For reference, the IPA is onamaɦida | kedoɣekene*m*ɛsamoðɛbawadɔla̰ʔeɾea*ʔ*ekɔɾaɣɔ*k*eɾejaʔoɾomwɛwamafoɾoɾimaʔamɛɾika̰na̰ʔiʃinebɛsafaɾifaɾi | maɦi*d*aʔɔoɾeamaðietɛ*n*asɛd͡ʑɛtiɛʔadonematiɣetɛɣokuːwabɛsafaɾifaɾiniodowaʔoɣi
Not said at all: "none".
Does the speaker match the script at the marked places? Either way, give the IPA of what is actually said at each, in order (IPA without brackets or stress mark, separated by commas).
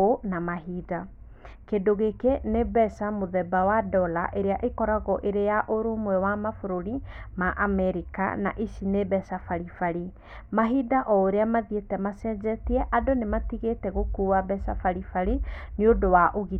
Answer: b, ʔ, ʔ, d, m